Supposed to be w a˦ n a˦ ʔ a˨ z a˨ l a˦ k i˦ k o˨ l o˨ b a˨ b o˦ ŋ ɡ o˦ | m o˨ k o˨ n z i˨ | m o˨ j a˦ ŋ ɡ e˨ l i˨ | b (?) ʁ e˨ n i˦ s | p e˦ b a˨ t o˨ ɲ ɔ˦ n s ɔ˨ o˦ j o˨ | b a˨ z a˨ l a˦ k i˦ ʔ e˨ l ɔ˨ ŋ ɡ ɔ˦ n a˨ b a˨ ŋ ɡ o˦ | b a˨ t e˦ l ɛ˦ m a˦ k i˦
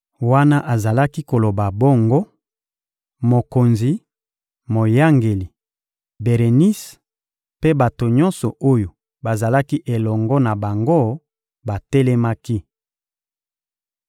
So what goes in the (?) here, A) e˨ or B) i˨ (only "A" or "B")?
A